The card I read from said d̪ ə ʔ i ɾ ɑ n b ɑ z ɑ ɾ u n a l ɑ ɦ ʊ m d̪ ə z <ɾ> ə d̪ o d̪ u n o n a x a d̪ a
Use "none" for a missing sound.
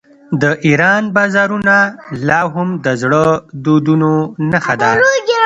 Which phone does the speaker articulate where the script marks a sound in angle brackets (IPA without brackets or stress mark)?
ɽ